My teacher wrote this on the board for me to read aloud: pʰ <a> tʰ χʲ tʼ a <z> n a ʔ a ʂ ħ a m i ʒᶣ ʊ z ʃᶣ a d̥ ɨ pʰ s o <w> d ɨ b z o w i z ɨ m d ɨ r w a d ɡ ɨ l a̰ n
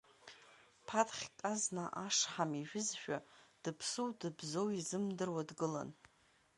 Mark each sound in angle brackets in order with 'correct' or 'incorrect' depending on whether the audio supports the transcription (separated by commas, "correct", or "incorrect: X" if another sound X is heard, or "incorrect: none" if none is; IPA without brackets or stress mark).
correct, correct, correct